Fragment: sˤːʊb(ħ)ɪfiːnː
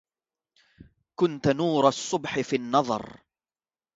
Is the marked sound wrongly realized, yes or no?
no